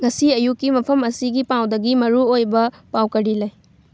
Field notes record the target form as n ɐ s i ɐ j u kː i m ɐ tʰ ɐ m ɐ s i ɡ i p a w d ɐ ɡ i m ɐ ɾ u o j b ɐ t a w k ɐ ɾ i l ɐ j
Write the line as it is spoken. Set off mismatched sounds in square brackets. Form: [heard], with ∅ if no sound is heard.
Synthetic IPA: [ŋ] ɐ s i ɐ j u kː i m ɐ [pʰ] ɐ m ɐ s i ɡ i p a w d ɐ ɡ i m ɐ ɾ u o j b ɐ [p] a w k ɐ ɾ i l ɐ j